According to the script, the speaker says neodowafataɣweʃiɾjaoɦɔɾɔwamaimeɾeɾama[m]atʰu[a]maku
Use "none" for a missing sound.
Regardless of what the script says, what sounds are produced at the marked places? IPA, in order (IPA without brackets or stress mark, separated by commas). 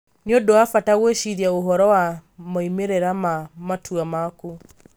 m, a